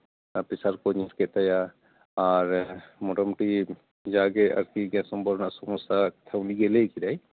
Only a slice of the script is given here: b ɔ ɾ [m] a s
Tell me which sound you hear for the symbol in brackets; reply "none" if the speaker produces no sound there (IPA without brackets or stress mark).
n